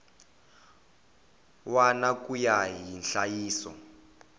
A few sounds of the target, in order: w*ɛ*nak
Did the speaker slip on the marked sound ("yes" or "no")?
yes